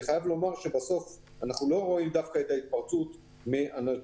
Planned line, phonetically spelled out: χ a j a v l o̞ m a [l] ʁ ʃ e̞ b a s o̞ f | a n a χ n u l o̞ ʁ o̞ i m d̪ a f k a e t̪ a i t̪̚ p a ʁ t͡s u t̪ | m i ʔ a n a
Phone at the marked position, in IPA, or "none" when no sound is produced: none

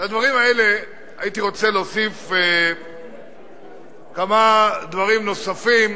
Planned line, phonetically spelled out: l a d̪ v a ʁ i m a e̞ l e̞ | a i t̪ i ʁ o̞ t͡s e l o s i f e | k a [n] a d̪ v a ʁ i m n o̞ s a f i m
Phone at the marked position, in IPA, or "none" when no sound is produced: m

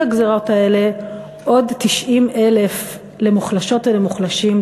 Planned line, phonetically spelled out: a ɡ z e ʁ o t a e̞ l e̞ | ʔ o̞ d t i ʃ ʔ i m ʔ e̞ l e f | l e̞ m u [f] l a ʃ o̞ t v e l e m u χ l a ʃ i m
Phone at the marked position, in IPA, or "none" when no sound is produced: χ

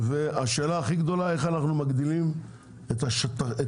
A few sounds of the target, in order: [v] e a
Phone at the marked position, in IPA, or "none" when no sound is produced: v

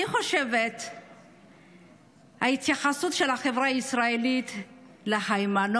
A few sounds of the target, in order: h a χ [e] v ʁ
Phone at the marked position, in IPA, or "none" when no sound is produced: e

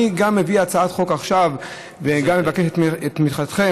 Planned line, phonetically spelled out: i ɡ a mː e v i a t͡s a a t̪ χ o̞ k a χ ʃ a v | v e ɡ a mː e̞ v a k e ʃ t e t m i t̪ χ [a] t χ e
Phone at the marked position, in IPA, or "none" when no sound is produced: a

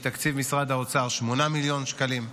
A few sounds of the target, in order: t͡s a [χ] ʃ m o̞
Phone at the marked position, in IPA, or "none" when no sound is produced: ʁ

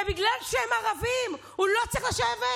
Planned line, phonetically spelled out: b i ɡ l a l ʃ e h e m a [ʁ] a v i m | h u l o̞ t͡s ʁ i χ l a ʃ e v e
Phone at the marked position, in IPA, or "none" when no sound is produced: ʁ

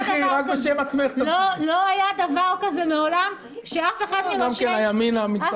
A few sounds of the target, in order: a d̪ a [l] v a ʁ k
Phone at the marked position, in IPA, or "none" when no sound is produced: none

